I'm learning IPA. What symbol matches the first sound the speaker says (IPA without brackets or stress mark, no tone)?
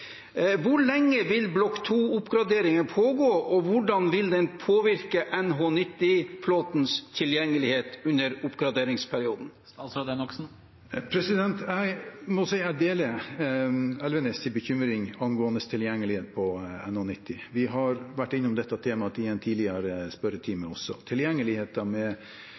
ʋ